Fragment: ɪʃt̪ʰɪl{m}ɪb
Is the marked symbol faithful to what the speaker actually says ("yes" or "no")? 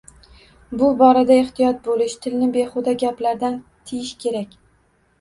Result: no